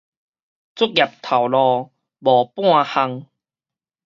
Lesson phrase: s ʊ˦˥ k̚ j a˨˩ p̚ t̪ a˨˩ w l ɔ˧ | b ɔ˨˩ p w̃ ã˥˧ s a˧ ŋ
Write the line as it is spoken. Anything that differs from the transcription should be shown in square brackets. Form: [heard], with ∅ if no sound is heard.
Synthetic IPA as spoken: [t͡s] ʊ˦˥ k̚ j a˨˩ p̚ [t̪ʰ] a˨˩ w l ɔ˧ | b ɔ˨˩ p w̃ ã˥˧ [h] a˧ ŋ